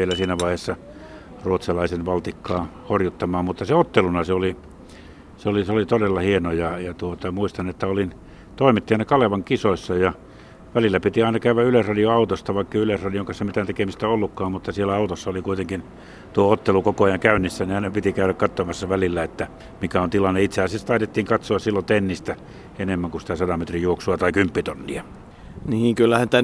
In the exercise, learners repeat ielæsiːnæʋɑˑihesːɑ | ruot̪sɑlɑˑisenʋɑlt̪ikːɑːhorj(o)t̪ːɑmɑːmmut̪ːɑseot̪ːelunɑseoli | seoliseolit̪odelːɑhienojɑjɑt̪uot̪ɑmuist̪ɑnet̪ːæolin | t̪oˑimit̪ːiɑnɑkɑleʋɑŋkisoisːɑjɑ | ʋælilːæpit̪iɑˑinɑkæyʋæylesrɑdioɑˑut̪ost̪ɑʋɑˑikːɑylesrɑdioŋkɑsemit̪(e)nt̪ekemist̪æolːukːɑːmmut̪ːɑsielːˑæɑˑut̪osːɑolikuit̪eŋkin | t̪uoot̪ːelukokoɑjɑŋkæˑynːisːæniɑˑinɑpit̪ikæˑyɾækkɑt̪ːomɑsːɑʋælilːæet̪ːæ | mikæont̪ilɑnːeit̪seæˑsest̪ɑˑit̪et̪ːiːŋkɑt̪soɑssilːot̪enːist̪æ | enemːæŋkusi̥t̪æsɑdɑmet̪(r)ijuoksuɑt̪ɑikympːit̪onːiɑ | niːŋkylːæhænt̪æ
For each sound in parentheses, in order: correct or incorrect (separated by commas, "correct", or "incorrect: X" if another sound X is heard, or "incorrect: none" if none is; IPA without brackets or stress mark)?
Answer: incorrect: u, incorrect: æ, correct